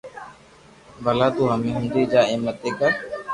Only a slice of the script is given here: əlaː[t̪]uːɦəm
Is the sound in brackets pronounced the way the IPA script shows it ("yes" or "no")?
yes